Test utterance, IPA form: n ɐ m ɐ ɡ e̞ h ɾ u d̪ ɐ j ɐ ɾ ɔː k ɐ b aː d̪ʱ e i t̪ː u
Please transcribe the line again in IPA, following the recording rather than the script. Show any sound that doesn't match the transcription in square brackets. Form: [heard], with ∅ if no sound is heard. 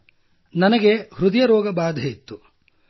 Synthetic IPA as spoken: n ɐ [n] ɐ ɡ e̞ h ɾ u d̪ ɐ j ɐ ɾ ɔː [ɡ] ɐ b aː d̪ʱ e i t̪ː u